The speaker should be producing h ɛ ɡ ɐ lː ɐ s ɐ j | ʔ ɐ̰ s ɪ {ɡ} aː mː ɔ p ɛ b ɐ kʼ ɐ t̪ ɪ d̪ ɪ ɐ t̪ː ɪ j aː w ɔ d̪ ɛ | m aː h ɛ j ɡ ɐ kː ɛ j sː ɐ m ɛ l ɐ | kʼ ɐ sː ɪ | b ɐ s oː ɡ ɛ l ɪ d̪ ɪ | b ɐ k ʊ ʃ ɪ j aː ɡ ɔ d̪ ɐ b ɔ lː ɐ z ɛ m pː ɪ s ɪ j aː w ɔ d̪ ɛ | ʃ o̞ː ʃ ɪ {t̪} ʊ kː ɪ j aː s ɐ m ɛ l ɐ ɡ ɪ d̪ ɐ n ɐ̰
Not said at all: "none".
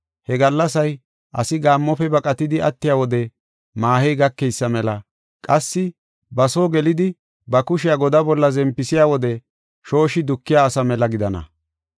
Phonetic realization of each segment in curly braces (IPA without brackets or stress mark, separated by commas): ɡ, d̪